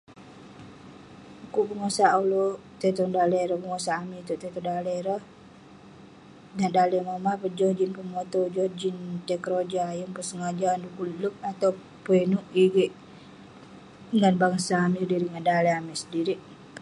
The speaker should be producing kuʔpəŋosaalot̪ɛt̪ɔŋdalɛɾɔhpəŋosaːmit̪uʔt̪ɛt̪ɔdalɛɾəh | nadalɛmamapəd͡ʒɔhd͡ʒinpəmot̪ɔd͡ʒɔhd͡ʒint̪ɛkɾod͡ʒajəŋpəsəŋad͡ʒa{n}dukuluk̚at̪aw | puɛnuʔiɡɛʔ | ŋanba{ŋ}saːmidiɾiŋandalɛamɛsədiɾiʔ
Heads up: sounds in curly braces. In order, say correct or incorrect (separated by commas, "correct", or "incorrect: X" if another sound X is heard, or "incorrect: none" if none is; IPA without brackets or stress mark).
correct, correct